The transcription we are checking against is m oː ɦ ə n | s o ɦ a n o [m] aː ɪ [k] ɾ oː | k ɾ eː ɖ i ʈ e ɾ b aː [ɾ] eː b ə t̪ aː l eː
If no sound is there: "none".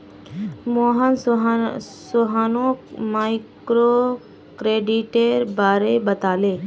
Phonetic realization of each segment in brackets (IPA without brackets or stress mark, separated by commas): m, k, ɾ